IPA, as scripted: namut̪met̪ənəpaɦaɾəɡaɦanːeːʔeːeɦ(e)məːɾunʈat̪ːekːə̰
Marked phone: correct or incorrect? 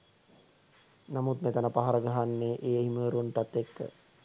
incorrect